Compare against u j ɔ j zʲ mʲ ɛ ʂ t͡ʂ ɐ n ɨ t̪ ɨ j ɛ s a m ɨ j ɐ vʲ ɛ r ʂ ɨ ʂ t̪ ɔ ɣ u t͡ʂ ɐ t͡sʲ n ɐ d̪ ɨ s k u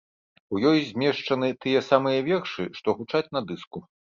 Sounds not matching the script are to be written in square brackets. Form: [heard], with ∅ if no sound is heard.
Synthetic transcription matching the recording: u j ɔ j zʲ mʲ ɛ ʂ t͡ʂ ɐ n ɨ t̪ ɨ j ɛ s a m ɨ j ɐ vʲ ɛ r ʂ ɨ ʂ t̪ ɔ ɣ u t͡ʂ [a] t͡sʲ n ɐ d̪ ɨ s k u